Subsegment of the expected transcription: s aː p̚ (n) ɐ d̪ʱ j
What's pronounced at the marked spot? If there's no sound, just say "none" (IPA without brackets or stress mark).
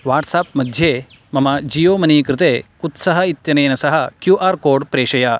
m